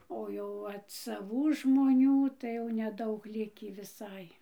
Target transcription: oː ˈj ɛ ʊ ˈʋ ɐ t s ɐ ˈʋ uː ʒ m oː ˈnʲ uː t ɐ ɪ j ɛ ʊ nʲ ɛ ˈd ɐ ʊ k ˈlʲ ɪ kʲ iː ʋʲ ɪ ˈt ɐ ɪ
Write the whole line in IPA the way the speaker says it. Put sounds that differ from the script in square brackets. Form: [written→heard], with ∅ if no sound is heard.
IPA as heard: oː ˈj ɛ ʊ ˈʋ ɐ t s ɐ ˈʋ uː ʒ m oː ˈnʲ uː t ɐ ɪ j ɛ ʊ nʲ ɛ ˈd ɐ ʊ k ˈlʲ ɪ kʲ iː ʋʲ ɪ [ˈt→ˈs] ɐ ɪ